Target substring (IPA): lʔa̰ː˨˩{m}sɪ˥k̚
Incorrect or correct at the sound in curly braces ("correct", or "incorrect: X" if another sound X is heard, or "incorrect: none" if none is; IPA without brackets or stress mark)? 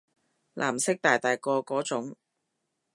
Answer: correct